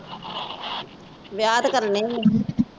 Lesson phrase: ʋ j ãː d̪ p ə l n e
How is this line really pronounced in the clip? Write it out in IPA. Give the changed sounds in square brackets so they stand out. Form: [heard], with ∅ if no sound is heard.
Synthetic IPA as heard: ʋ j [aː] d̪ [k] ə [ɾ] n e